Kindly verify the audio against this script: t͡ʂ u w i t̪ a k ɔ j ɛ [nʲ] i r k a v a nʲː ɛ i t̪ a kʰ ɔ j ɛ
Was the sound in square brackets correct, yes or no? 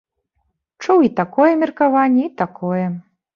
no